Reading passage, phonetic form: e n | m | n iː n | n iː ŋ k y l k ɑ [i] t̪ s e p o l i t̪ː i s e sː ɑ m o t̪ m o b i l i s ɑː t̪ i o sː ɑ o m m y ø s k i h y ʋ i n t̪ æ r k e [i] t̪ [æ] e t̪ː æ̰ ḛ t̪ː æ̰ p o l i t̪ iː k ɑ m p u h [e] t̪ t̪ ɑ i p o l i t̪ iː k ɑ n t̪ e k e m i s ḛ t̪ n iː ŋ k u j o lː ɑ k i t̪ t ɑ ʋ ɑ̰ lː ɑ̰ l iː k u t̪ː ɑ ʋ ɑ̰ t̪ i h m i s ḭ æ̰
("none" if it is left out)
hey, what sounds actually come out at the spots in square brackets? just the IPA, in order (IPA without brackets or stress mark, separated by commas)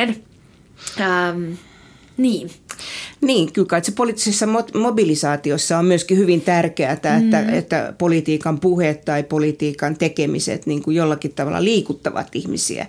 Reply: i, æ, æ, e